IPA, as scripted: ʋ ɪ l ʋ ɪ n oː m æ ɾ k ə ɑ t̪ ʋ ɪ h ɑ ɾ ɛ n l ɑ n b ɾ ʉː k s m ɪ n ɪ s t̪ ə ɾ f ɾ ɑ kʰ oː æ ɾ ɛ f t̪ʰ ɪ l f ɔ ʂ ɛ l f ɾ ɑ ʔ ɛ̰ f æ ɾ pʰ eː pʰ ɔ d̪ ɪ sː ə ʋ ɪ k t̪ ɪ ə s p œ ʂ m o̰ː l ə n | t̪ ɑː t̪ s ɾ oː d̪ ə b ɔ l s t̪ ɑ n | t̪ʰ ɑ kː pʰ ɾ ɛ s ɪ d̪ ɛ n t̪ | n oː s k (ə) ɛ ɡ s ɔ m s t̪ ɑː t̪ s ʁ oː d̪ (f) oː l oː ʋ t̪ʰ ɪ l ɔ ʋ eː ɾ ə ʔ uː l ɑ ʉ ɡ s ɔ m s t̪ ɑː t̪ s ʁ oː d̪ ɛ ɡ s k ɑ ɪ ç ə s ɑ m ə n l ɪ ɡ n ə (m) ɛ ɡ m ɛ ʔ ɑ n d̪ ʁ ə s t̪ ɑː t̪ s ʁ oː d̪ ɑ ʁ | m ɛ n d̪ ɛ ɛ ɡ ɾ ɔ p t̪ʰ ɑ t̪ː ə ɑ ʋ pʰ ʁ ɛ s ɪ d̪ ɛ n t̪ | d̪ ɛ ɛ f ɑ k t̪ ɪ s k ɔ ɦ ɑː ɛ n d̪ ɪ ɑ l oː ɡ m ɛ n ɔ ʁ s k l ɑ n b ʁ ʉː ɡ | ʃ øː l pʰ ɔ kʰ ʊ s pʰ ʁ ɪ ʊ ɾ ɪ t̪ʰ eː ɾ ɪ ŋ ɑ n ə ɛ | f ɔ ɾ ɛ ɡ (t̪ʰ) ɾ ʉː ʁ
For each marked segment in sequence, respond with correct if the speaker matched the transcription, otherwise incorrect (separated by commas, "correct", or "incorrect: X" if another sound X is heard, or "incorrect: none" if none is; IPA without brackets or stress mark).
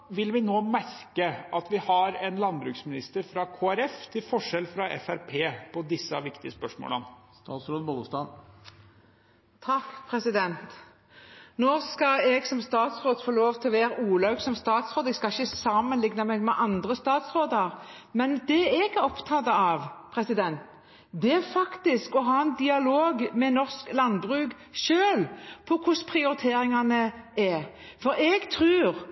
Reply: incorrect: ɑ, correct, correct, correct